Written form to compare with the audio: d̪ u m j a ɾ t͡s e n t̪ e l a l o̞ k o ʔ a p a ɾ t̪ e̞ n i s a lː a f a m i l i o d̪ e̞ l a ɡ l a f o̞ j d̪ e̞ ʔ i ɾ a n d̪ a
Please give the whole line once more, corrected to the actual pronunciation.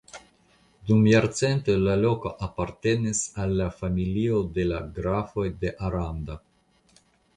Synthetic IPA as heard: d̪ u m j a ɾ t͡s e n t̪ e l a l o̞ k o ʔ a p a ɾ t̪ e̞ n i s a lː a f a m i l i o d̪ e̞ l a ɡ ɾ a f o̞ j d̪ e̞ ʔ a ɾ a n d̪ a